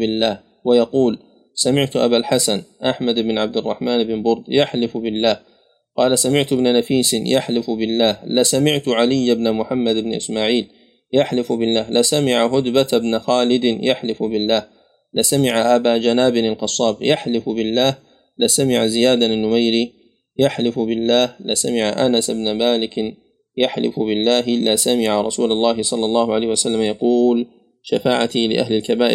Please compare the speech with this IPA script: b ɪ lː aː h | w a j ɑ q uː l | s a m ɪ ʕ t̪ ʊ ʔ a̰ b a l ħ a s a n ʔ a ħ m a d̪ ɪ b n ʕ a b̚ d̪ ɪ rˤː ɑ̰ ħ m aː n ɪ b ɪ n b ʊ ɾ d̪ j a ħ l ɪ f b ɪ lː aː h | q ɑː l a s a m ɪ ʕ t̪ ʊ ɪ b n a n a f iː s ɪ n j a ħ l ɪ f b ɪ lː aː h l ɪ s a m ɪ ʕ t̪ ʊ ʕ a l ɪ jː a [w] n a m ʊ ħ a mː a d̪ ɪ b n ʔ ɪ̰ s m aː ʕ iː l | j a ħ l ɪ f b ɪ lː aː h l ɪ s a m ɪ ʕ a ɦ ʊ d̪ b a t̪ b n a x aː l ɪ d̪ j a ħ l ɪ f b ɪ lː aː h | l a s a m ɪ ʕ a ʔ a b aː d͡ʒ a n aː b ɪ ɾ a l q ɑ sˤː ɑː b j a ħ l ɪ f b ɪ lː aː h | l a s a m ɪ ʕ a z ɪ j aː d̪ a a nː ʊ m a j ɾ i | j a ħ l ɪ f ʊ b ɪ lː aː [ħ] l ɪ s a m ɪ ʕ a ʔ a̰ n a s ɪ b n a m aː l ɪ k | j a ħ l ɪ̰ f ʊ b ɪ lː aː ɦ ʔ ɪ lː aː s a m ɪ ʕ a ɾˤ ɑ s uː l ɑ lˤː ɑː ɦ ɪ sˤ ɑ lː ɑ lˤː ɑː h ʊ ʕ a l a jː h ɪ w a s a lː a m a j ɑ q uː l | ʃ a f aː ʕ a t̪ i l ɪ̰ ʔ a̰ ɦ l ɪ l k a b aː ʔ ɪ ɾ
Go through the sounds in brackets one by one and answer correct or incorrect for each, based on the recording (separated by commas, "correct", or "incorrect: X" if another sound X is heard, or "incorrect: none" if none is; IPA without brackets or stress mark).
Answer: incorrect: b, incorrect: h